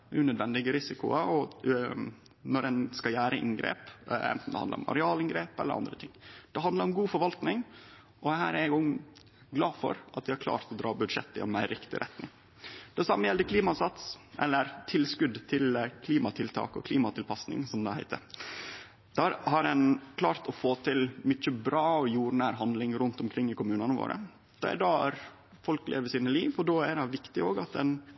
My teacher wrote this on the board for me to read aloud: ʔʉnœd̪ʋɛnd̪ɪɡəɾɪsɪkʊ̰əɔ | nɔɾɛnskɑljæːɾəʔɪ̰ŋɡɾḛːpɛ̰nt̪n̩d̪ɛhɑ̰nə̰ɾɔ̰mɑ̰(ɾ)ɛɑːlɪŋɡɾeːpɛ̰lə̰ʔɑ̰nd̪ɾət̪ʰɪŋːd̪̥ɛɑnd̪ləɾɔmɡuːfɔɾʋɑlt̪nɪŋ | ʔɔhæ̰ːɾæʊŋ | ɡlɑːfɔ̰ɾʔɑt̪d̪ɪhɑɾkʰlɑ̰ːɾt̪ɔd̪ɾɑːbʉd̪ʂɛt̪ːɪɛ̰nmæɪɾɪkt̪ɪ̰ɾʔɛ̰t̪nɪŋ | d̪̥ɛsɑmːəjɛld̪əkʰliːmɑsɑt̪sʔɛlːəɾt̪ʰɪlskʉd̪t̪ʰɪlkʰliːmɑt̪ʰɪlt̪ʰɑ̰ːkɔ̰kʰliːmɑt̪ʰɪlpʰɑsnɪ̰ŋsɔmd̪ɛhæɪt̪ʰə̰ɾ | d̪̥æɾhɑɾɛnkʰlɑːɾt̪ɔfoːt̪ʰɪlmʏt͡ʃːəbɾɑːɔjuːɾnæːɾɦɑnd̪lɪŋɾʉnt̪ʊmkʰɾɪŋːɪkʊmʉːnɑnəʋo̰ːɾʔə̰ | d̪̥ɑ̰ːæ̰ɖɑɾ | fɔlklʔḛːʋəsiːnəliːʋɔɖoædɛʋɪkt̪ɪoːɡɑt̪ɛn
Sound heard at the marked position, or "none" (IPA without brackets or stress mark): ɾ